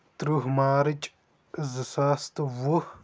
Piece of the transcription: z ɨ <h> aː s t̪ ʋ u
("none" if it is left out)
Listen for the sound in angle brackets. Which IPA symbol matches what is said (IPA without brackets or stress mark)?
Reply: s